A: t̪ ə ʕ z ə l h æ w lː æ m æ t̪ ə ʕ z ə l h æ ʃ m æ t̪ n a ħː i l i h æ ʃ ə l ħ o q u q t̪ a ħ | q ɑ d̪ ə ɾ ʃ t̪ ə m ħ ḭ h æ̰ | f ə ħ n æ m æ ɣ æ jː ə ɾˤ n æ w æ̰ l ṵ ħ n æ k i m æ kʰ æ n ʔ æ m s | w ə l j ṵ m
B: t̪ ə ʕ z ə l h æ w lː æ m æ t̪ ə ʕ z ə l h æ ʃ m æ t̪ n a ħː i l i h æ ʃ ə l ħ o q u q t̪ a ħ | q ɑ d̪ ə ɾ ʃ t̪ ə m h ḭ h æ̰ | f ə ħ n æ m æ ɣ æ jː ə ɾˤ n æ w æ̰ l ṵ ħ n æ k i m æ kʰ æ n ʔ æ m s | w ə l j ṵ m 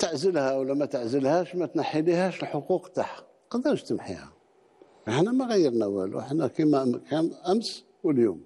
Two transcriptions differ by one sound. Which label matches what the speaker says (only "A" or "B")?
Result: A